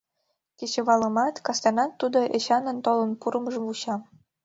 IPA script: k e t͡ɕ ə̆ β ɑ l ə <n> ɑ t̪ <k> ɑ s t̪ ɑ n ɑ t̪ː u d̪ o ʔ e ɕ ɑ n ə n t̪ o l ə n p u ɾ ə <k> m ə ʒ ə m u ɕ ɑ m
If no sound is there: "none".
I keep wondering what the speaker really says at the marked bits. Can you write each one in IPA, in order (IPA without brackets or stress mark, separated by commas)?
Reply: m, k, none